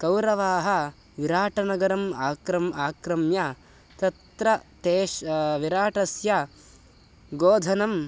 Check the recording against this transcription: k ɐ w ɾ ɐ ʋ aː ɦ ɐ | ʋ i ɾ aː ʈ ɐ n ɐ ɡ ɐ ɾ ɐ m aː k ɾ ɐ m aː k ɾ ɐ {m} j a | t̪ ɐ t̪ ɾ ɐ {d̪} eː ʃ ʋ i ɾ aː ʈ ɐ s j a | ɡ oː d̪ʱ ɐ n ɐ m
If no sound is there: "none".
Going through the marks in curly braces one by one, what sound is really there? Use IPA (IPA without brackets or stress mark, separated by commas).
m, t̪